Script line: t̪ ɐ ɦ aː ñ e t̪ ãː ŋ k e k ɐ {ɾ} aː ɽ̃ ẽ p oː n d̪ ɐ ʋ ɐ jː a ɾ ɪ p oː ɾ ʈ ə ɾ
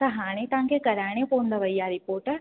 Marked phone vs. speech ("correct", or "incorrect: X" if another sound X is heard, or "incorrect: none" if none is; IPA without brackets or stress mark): correct